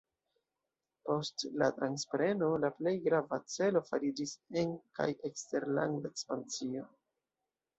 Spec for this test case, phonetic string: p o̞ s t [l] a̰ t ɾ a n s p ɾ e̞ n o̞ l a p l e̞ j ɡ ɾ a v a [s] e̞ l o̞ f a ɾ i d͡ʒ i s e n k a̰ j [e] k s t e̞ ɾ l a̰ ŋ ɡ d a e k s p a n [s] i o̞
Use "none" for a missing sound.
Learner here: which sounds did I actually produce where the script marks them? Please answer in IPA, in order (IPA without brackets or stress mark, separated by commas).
l, t͡s, e, t͡s